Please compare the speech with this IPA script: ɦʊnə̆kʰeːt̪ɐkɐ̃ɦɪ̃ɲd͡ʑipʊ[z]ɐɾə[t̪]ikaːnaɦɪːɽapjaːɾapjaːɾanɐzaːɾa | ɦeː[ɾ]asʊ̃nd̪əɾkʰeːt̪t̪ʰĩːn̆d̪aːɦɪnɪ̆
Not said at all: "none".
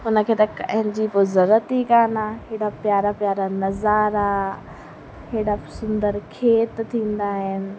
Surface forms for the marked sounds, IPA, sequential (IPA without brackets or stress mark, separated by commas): z, t̪, ɽ